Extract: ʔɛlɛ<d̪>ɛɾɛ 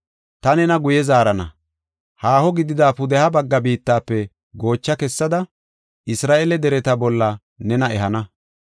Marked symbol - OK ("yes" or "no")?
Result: yes